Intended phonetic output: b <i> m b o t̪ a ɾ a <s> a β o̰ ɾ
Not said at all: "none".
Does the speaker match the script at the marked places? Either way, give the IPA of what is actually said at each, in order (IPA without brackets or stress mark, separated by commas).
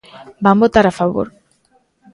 a, f